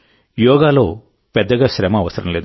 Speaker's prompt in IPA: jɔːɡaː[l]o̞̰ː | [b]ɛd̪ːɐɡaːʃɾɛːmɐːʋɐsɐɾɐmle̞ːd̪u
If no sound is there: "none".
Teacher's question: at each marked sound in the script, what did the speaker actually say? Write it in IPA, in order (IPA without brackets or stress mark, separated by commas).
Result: l, p